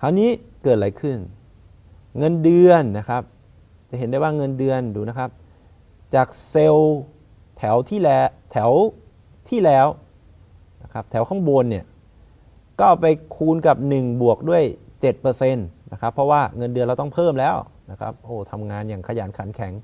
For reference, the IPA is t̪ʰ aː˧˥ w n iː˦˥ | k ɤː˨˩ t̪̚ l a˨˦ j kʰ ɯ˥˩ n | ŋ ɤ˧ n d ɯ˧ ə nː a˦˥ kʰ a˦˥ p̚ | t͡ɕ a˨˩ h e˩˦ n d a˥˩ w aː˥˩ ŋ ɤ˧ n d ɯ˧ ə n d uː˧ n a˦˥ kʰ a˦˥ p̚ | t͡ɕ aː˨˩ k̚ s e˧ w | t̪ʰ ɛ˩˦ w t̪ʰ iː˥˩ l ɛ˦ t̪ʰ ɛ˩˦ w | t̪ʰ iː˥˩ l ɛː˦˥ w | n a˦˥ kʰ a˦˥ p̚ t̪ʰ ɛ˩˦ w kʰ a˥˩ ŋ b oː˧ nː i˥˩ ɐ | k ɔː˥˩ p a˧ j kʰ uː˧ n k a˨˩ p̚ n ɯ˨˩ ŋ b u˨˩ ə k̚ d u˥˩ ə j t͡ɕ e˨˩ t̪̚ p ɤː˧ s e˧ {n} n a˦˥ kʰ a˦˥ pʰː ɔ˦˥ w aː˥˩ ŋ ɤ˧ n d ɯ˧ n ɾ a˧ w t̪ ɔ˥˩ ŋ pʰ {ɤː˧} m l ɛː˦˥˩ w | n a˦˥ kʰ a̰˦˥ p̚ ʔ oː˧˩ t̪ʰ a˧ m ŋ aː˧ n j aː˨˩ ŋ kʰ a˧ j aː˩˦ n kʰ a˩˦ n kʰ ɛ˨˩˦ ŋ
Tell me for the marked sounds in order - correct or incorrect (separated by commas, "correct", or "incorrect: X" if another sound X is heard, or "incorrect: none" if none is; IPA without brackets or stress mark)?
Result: correct, incorrect: ɤː˥˩